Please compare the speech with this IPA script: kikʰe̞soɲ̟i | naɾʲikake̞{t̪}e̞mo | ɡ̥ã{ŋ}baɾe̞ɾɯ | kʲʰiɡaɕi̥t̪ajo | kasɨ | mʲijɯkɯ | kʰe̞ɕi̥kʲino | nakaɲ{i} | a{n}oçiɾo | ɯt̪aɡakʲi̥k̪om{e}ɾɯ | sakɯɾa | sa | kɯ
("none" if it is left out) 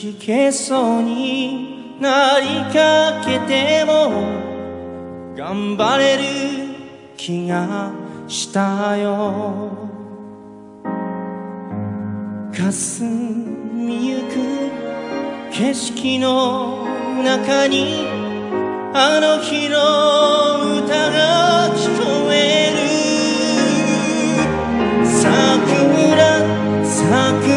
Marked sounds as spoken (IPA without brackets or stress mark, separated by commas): t̪, m, i, n, e